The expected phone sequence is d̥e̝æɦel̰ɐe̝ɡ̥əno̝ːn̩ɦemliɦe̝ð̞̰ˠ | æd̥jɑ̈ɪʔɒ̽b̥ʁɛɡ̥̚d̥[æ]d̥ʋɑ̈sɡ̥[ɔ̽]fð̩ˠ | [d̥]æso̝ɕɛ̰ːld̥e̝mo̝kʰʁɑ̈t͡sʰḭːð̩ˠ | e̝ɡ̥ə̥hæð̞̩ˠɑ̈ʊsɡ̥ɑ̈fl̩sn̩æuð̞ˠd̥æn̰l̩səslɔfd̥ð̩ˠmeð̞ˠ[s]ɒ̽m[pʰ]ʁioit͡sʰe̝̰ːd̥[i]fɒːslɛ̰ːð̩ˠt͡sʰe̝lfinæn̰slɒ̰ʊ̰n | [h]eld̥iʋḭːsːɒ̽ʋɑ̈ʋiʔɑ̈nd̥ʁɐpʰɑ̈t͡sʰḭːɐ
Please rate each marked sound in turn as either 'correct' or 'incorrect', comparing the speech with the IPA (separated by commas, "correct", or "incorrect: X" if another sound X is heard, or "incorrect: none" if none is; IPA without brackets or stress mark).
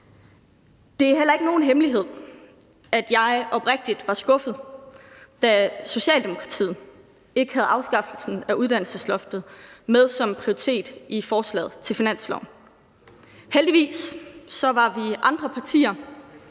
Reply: incorrect: i, correct, correct, correct, correct, correct, correct